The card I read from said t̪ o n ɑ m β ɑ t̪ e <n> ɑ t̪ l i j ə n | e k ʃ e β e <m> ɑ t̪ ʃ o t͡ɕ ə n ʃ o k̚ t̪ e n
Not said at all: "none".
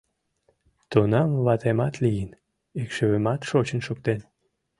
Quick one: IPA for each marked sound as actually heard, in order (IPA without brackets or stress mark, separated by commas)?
m, m